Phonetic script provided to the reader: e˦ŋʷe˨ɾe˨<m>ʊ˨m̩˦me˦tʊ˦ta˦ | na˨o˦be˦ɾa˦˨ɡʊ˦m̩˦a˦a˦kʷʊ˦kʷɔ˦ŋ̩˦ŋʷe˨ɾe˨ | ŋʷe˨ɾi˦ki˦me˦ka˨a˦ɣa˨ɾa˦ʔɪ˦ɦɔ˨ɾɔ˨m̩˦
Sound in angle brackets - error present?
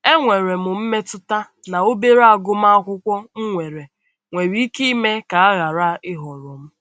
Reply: no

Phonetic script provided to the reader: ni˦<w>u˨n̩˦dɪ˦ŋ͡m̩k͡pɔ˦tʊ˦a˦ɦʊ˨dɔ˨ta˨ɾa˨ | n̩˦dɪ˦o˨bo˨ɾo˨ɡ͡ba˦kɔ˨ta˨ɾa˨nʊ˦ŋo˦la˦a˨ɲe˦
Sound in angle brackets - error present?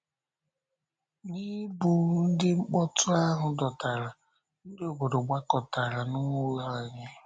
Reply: yes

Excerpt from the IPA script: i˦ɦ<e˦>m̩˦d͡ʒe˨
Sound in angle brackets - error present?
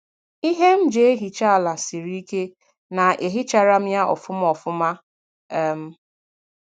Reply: no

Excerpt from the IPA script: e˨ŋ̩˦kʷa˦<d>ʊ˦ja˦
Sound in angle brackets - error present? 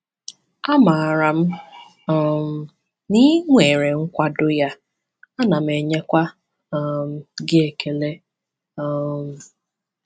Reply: no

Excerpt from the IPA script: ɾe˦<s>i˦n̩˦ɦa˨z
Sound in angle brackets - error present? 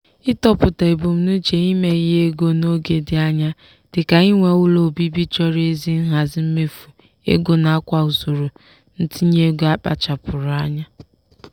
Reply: yes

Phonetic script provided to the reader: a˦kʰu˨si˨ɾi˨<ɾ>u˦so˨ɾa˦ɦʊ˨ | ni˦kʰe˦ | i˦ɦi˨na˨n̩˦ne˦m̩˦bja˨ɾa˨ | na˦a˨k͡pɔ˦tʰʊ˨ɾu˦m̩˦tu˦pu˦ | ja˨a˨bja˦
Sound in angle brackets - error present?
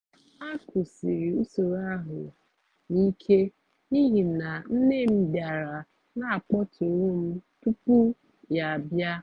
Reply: yes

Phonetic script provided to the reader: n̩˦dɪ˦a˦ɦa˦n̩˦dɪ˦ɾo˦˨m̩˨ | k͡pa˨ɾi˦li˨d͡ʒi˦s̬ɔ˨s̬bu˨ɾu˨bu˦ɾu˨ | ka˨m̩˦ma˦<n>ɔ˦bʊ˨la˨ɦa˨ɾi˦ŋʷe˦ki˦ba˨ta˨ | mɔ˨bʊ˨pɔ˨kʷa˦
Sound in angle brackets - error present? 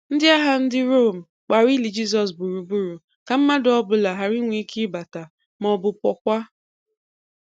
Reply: yes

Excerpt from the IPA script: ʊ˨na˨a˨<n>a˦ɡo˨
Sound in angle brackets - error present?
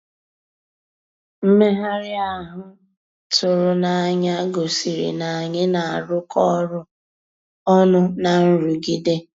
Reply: yes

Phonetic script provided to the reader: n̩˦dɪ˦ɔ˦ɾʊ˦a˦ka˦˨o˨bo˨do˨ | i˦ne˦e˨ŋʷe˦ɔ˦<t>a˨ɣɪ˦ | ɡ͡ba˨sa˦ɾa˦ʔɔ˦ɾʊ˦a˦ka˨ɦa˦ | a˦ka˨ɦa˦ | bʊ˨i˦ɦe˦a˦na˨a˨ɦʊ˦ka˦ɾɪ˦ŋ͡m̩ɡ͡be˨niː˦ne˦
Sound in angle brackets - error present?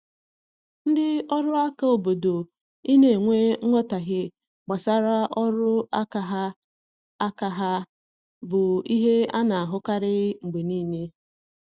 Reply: no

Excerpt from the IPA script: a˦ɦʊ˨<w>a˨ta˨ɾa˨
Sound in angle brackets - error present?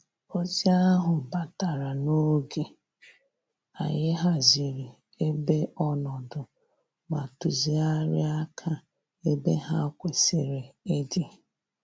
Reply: yes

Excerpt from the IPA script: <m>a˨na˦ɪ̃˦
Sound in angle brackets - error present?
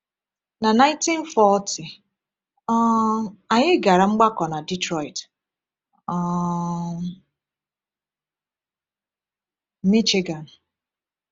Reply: yes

